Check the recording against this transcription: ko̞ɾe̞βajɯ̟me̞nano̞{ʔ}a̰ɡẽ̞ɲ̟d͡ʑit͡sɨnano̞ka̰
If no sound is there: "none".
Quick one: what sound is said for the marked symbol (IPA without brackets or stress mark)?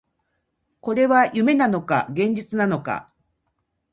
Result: k